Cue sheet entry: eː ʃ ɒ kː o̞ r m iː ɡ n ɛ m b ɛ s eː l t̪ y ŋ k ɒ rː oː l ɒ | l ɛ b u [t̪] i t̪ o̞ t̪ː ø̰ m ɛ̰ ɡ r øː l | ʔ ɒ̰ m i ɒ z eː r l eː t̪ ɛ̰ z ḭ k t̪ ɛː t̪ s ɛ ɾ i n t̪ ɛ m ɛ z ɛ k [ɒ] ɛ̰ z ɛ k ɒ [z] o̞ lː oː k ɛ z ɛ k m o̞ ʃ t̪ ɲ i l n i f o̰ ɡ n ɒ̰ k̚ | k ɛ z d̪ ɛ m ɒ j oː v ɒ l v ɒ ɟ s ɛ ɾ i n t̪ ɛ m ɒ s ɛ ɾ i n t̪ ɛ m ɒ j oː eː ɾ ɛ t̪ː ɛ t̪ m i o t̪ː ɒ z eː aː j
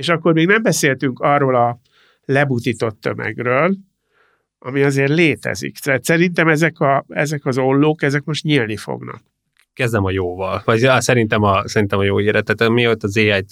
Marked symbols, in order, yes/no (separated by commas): yes, yes, yes